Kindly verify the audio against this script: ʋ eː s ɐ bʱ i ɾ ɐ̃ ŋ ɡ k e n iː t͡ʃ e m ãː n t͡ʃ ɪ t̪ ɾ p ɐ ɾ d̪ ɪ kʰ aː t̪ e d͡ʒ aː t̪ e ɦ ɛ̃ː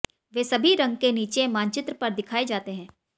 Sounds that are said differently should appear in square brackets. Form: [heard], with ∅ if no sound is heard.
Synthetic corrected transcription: ʋ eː s ɐ bʱ i ɾ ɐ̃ ŋ ɡ k e n iː t͡ʃ e m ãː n t͡ʃ ɪ t̪ ɾ p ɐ ɾ d̪ ɪ kʰ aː [∅] e d͡ʒ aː t̪ e ɦ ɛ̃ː